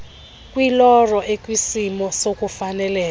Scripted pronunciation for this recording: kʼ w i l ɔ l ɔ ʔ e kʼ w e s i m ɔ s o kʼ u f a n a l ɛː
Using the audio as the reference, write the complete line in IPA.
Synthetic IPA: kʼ w i l ɔ r ɔ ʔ e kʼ w i s i m ɔ s o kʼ u f a n ɛ l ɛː

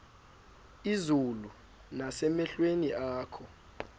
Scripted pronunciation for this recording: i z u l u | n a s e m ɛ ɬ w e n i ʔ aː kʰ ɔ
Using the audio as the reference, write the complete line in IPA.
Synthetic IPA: i z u l u | n a s ɛ m ɛ ɬ w e n i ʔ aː kʰ ɔ

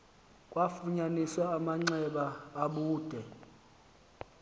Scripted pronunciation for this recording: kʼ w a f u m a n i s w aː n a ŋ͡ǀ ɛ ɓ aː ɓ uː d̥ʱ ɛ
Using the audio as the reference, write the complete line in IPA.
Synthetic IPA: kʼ w a f u ɲ a n i s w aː m a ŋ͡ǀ ɛ ɓ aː ɓ uː d̥ʱ ɛ

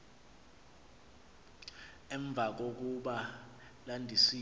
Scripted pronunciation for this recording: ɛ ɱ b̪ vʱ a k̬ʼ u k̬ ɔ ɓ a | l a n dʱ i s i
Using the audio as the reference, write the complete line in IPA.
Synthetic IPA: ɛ ɱ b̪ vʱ a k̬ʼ o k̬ u ɓ a | l a n dʱ i s i

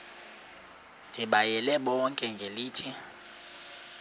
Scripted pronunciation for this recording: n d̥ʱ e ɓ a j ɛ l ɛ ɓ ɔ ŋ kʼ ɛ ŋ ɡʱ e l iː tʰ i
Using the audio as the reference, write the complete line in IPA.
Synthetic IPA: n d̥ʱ i ɓ a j ɛ l ɛ ɓ ɔ ŋ kʼ ɛ ŋ ɡʱ e l iː tʰ i

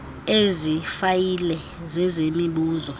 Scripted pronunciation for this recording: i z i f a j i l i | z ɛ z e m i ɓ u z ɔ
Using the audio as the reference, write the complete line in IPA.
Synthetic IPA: e z i f a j i l ɛ | z ɛ z e m i ɓ uː z ɔ

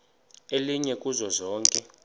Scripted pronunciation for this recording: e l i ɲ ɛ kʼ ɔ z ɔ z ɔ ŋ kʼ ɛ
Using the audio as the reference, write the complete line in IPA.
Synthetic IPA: e l i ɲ ɛ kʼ u z ɔ z ɔː ŋ kʼ ɛ

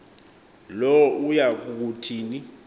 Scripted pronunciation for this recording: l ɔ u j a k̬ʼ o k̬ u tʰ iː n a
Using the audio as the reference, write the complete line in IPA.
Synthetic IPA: l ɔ u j a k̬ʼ u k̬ u tʰ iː n i

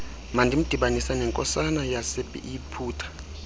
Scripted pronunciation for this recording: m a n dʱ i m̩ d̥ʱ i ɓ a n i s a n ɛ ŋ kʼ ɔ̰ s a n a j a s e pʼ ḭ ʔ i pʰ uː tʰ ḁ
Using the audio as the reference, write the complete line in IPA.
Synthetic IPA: m a n dʱ i m̩ d̥ʱ i ɓ a n i s a n ɛ ŋ kʼ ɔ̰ s a n a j a s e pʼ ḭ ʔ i pʰ uː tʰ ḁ

